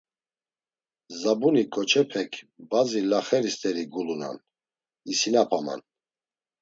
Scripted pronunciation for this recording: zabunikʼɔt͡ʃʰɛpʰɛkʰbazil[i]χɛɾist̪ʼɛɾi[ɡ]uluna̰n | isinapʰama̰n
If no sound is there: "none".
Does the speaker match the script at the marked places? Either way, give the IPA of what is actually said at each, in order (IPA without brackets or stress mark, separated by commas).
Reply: a, ɡ